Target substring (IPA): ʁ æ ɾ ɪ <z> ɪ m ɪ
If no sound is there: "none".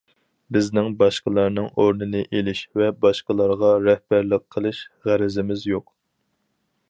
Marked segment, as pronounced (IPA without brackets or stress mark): z